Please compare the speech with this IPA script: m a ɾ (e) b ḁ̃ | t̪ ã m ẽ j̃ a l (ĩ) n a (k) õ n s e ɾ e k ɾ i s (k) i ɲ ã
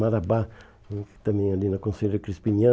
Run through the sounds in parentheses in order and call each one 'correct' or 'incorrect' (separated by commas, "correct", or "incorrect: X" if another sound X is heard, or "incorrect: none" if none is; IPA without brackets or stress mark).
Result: incorrect: a, incorrect: i, correct, incorrect: p